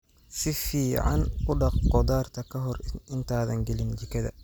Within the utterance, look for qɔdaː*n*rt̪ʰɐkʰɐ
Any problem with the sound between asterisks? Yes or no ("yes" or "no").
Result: yes